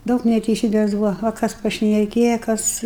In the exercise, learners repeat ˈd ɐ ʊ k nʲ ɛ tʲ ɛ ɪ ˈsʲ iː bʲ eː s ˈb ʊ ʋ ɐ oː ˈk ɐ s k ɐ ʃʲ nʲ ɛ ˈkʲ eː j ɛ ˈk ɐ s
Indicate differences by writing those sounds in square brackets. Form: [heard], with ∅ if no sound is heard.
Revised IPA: ˈd ɐ ʊ k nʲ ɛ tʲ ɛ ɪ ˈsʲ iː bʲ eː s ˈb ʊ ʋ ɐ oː ˈk ɐ s [p] ɐ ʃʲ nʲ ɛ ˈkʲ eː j ɛ ˈk ɐ s